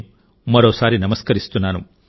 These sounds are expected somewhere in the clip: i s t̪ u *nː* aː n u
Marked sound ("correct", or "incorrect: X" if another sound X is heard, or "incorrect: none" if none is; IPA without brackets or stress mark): incorrect: n